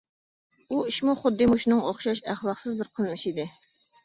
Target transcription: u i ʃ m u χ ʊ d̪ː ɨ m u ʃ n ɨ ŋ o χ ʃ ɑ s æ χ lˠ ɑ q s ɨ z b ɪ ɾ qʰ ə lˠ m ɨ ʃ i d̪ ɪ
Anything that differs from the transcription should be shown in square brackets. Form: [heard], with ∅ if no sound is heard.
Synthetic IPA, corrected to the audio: u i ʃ m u χ ʊ d̪ː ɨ m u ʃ n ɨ ŋ o χ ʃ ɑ [ʃ] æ χ lˠ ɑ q s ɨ z b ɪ ɾ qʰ ə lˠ m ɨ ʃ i d̪ ɪ